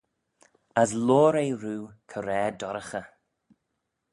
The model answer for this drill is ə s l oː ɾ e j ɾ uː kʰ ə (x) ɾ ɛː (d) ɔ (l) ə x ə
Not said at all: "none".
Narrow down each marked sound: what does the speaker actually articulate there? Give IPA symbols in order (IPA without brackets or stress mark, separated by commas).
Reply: none, d, ɾ